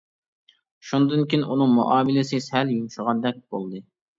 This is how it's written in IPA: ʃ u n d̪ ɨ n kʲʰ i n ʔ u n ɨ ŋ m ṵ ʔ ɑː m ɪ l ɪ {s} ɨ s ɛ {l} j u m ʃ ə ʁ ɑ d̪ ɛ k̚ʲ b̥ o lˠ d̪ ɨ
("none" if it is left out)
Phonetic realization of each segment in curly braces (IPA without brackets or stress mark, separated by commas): s, l